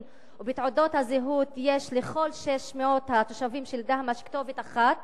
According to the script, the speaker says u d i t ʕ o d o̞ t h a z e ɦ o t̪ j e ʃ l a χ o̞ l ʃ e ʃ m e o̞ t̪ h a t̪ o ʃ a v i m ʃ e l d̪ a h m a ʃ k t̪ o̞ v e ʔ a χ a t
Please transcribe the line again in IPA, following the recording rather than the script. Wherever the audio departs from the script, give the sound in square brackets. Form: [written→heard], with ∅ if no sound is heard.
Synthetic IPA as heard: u [d→b] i t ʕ o d o̞ t h a z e ɦ [o→u] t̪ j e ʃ l [a→e] χ o̞ l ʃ e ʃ m e o̞ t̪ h a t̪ o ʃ a v i m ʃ e l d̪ a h m a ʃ k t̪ o̞ v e [ʔ→t] a χ a t